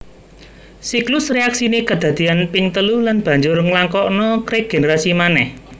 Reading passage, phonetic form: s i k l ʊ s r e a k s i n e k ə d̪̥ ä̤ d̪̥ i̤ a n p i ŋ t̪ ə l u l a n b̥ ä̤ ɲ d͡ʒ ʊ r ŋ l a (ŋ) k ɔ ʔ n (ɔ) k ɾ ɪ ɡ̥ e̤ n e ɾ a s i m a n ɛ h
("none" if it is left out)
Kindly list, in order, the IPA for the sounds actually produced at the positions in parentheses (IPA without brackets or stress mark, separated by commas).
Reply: ŋ, ɔ